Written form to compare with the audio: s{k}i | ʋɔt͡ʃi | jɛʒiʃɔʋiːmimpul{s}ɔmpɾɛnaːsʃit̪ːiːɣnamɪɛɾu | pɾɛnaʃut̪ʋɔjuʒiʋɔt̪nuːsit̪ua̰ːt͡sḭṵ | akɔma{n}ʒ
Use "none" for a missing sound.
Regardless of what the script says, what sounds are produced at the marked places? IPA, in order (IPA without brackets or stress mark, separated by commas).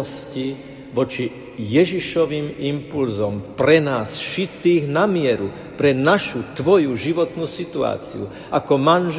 c, z, n